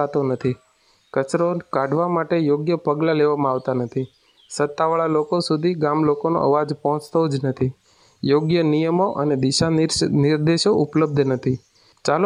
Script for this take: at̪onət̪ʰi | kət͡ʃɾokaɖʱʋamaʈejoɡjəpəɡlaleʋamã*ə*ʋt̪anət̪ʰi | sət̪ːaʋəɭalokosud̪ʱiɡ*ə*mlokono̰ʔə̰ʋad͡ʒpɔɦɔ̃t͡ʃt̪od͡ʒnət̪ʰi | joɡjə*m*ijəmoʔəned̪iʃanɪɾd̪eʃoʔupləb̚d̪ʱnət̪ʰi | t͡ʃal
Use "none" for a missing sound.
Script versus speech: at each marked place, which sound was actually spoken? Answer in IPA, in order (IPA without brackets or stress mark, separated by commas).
a, a, n